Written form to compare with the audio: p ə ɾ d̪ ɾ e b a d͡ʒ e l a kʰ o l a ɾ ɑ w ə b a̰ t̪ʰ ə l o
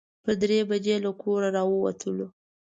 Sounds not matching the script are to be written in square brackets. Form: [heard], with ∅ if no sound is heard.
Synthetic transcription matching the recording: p ə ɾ d̪ ɾ e b a d͡ʒ e l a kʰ o [ɾ] a ɾ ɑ w ə [w] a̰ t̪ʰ ə l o